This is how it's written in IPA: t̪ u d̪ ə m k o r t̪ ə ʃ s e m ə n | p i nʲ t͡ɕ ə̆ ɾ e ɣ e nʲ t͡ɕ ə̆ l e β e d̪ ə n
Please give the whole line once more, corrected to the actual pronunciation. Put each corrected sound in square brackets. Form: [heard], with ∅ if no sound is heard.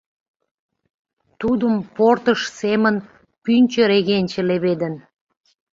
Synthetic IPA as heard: t̪ u d̪ ə m [p] o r t̪ ə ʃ s e m ə n | p [y] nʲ t͡ɕ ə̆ ɾ e ɣ e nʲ t͡ɕ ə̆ l e β e d̪ ə n